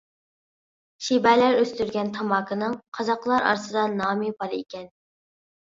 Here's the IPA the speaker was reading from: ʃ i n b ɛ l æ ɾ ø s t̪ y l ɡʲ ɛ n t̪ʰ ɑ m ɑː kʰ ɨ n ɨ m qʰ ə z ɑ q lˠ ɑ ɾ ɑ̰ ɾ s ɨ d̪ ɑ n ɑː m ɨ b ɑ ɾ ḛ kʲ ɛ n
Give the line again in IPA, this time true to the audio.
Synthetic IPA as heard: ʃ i b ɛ l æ ɾ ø s t̪ y ɾ ɡʲ ɛ n t̪ʰ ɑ m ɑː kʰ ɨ n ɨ ŋ qʰ ɑ z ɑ q lˠ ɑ ɾ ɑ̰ ɾ s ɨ d̪ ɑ n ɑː m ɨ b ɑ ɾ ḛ kʲ ɛ n

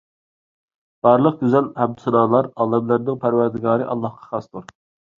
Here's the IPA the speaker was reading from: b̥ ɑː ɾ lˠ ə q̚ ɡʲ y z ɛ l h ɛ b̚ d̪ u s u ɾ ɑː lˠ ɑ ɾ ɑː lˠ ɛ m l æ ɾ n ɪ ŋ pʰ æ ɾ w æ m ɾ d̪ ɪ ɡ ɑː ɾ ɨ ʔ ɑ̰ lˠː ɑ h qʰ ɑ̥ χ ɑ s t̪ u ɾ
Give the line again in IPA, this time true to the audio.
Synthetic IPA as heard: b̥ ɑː ɾ lˠ ə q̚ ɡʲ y z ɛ l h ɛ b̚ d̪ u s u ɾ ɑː lˠ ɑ ɾ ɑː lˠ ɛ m l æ ɾ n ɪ ŋ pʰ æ ɾ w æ ɾ d̪ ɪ ɡ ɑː ɾ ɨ ʔ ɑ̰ lˠː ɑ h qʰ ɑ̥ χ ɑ s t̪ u ɾ

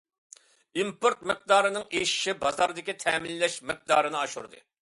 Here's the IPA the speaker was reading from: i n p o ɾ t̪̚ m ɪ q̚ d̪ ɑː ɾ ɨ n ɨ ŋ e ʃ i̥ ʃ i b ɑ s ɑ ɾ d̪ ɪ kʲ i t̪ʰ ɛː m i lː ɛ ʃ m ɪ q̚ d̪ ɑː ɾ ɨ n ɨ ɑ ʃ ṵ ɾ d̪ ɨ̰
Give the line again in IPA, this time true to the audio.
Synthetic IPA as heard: i m p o ɾ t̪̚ m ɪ q̚ d̪ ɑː ɾ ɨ n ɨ ŋ e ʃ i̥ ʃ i b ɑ z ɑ ɾ d̪ ɪ kʲ i t̪ʰ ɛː m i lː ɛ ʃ m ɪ q̚ d̪ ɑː ɾ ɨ n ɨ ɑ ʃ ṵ ɾ d̪ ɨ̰

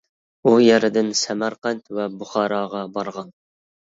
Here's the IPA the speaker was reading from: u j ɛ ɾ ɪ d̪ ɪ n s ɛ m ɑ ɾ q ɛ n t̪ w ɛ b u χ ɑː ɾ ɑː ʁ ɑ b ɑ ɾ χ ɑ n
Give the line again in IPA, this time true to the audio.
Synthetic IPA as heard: u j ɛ ɾ ɪ d̪ ɪ n s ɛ m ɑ ɾ q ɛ n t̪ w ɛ b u χ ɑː ɾ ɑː ʁ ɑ b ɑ ɾ ʁ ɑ n

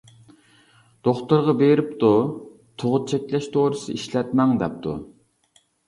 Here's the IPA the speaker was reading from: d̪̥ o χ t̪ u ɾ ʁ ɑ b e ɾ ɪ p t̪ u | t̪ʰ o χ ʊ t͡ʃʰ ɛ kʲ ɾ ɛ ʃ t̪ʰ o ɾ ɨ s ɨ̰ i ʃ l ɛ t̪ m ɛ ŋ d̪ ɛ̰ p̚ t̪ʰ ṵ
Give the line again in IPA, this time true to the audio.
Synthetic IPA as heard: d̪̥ o χ t̪ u ɾ ʁ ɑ b e ɾ ɪ p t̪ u | t̪ʰ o ʁ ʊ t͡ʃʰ ɛ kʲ l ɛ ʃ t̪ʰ o ɾ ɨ s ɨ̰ i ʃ l ɛ t̪ m ɛ ŋ d̪ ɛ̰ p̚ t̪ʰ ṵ

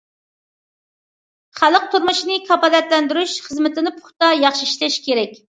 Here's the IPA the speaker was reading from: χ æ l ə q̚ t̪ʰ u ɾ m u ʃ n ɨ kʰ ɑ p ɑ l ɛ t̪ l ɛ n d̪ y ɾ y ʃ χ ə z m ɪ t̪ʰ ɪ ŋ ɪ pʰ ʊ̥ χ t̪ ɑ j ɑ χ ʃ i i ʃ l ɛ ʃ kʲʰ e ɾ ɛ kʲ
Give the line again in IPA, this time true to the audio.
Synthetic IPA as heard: χ æ l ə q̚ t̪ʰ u ɾ m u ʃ n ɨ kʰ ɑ p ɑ l ɛ t̪ l ɛ n d̪ y ɾ y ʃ χ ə z m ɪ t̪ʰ ɪ n ɪ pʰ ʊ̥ χ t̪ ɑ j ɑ χ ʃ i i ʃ l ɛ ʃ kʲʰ e ɾ ɛ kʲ

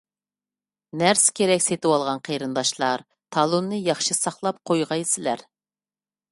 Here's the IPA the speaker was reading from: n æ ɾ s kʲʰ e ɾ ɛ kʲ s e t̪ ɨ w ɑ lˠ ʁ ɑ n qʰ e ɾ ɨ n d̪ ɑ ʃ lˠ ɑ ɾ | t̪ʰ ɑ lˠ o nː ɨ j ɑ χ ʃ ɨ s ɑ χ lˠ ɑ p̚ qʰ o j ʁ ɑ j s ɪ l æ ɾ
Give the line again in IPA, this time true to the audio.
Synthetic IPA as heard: n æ ɾ s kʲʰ e ɾ ɛ kʲ s e t̪ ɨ w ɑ lˠ ʁ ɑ n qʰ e ɾ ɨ n d̪ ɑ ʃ lˠ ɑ ɾ | t̪ʰ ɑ lˠ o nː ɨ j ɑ χ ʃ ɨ s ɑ χ lˠ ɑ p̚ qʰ o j ʁ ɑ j s ɪ l æ ɾ

